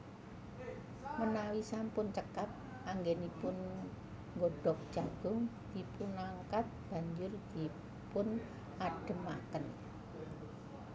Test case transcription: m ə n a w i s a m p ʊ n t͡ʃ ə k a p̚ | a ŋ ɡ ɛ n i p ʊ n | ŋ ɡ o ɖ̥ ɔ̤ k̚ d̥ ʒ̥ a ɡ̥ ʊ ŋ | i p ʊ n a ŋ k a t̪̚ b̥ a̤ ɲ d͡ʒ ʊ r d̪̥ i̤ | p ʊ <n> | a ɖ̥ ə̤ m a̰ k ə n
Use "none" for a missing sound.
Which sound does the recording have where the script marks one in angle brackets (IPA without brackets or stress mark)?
n